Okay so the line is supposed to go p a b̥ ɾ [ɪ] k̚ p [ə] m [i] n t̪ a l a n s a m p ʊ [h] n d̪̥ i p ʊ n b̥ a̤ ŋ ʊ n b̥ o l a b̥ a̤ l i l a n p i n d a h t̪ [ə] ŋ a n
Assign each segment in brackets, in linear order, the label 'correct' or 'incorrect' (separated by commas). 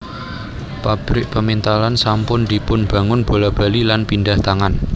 correct, correct, correct, incorrect, incorrect